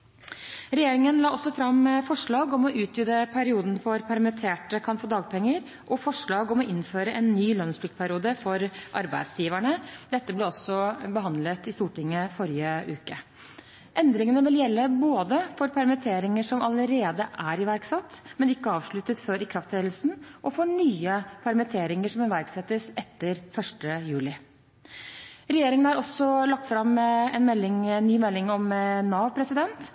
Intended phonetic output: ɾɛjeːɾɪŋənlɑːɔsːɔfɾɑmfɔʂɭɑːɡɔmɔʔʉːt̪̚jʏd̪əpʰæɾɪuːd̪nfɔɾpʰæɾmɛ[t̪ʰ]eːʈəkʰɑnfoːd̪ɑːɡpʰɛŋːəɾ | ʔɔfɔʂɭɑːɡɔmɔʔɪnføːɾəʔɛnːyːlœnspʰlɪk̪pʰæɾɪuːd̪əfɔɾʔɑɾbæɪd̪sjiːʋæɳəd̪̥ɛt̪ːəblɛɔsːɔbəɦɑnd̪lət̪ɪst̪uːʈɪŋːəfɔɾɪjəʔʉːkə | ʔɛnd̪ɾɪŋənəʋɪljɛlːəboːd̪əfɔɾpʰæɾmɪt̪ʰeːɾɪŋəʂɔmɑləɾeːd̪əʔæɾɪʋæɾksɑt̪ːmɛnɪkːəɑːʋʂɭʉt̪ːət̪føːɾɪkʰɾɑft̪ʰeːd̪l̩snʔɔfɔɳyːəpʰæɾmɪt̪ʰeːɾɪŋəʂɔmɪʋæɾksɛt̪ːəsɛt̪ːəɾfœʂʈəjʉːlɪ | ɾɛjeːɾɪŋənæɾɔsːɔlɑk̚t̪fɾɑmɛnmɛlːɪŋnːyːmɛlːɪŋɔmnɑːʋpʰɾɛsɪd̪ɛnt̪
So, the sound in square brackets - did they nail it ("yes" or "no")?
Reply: yes